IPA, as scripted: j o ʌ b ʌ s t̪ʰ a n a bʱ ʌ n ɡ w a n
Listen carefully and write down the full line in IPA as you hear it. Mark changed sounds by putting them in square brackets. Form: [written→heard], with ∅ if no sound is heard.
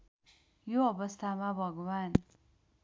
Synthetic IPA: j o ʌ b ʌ s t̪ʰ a [n→m] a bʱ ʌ [n→∅] ɡ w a n

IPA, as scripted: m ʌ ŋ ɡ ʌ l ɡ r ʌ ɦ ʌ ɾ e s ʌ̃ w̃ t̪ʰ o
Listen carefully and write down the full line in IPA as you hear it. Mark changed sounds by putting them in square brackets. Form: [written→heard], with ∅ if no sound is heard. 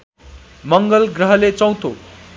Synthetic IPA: m ʌ ŋ ɡ ʌ l ɡ r ʌ ɦ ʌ [ɾ→l] e [s→t͡s] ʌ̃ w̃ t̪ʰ o

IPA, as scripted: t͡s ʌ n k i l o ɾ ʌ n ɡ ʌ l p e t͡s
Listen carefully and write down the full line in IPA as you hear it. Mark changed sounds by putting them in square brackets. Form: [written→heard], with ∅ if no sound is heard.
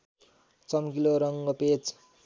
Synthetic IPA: t͡s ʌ [n→m] k i l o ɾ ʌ [n→ŋ] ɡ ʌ [l→∅] p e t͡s

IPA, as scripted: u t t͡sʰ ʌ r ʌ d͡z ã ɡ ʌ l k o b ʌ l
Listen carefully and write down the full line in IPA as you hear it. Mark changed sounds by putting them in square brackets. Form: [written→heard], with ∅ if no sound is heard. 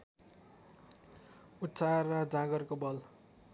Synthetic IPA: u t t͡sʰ [ʌ→a] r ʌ d͡z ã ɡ ʌ [l→r] k o b ʌ l

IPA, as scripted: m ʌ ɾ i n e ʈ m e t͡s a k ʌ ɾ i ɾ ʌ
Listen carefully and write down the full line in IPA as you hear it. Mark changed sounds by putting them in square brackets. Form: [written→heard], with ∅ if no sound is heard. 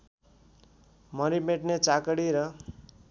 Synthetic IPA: m ʌ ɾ i [n→m] e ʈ [m→n] e t͡s a k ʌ [ɾ→ɽ] i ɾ ʌ

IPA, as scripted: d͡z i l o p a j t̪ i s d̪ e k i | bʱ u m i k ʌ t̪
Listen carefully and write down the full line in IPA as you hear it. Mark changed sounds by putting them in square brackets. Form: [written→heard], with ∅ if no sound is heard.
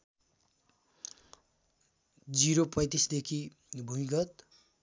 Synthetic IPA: d͡z i [l→ɾ] o p [a→ʌ] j t̪ i s d̪ e [k→kʰ] i | bʱ u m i [k→ɡ] ʌ t̪

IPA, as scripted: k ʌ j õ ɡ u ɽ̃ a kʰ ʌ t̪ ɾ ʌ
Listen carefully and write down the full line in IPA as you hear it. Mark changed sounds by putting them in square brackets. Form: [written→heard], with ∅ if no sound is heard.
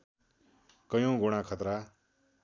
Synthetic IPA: k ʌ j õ ɡ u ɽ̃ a kʰ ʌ t̪ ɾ [ʌ→a]

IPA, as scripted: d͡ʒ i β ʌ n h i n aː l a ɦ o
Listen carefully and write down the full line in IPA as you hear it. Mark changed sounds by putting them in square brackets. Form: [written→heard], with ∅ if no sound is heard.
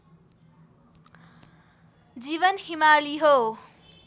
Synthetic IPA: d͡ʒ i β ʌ n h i [n→m] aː l [a→i] ɦ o

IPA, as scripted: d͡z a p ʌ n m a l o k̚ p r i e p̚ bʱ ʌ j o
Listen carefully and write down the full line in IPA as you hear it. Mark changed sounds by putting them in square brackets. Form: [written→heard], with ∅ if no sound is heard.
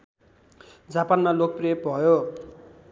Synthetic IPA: d͡z a p [ʌ→a] n m a l o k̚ p r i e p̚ bʱ ʌ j o

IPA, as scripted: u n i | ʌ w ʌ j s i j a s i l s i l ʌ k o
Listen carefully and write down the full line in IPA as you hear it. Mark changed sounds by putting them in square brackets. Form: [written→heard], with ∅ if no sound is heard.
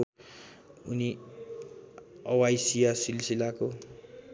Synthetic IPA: u n i | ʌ w [ʌ→a] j s i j a s i l s i l [ʌ→a] k o

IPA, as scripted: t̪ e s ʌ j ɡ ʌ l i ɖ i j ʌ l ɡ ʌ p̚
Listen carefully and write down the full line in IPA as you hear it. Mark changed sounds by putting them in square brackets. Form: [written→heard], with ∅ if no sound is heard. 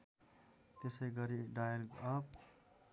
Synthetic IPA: t̪ e s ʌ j ɡ ʌ [l→ɾ] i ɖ [i→a] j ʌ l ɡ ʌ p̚

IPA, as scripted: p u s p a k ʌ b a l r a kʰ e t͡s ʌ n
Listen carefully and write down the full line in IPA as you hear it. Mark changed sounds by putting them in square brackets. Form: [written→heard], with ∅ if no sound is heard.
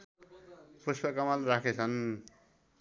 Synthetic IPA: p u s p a k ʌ [b→m] a l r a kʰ e [t͡s→t͡sʰ] ʌ n

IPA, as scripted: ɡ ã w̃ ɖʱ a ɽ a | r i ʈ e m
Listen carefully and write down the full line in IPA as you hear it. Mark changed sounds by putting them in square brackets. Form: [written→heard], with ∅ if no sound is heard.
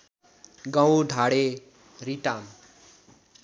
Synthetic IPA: ɡ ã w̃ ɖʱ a ɽ [a→e] | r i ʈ [e→a] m

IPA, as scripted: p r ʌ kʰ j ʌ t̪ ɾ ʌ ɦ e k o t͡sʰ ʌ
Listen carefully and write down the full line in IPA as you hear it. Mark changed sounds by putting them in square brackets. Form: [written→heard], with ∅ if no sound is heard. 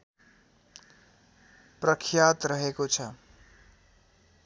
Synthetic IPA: p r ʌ kʰ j [ʌ→a] t̪ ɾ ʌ ɦ e k o t͡sʰ ʌ

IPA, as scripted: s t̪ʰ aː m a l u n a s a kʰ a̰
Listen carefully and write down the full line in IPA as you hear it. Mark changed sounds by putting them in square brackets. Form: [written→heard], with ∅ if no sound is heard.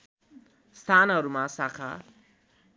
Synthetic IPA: s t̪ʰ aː [m→n] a [l→ɾ] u [n→m] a s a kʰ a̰

